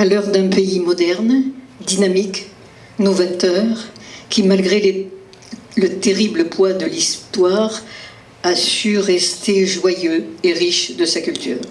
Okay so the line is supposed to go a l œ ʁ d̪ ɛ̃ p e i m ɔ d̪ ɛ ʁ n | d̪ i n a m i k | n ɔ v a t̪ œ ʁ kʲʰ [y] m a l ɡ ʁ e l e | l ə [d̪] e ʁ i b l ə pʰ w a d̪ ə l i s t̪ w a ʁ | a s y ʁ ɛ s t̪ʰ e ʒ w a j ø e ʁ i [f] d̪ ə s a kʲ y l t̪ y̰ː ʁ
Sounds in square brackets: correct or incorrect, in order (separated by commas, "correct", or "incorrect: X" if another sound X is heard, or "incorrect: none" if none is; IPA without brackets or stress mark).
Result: incorrect: i, incorrect: t̪, incorrect: ʃ